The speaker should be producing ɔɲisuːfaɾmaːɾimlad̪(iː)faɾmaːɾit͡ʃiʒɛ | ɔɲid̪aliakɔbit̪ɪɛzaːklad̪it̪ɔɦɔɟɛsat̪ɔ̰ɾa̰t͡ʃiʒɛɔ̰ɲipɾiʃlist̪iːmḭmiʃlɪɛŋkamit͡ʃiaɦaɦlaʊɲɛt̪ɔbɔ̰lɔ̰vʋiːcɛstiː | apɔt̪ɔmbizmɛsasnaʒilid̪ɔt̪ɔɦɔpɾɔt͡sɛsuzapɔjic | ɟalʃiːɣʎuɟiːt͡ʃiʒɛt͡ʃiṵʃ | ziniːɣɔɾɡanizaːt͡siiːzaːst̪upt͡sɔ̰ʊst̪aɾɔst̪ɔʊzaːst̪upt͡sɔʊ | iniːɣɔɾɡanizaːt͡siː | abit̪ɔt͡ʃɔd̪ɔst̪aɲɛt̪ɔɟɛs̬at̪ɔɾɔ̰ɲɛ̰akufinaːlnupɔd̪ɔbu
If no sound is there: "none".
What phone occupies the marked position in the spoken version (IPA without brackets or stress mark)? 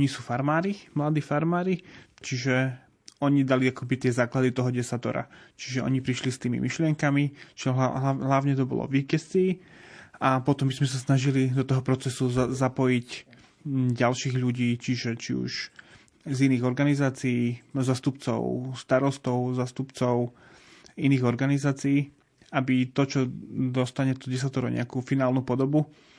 iː